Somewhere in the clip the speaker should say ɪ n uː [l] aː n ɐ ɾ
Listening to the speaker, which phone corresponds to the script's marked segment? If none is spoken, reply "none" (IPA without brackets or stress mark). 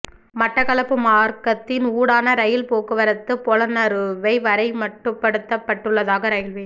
ɽ